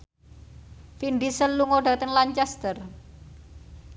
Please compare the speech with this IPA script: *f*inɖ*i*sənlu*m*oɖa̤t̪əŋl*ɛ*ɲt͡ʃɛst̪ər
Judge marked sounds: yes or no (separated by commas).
yes, yes, no, no